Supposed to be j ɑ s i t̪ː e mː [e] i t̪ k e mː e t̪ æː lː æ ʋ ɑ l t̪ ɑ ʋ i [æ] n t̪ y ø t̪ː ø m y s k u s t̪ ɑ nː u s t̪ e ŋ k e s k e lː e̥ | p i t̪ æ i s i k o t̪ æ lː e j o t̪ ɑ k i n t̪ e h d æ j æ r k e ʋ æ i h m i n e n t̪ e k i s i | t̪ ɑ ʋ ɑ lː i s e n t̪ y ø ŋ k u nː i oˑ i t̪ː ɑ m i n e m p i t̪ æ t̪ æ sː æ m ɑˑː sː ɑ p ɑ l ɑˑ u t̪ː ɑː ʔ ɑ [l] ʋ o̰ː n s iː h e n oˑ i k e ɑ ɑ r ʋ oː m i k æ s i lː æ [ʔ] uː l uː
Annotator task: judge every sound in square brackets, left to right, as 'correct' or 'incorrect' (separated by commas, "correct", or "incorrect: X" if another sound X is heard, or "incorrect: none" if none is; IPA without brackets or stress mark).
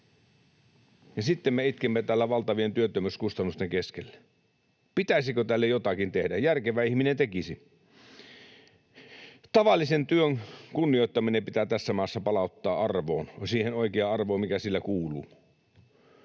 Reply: correct, incorrect: e, incorrect: r, incorrect: k